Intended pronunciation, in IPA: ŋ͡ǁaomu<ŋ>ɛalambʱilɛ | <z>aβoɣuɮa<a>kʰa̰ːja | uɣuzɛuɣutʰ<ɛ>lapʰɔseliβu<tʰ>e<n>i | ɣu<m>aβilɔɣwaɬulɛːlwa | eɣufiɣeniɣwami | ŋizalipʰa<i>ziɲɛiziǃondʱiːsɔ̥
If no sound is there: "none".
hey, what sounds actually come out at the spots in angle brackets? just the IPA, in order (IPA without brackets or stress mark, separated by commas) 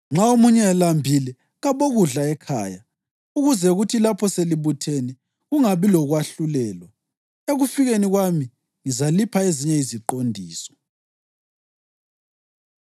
ɲ, ɣ, ɛ, i, tʰ, n, ŋ, e